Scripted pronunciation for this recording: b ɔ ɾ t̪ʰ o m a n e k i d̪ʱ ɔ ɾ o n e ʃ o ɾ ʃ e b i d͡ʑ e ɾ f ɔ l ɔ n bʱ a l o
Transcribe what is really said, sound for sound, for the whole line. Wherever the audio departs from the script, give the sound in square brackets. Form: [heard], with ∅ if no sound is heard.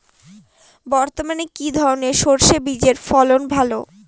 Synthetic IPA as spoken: b ɔ ɾ [t̪] o m a n e k i d̪ʱ ɔ ɾ o n e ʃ o ɾ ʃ e b i d͡ʑ e ɾ f ɔ l [o] n bʱ a l o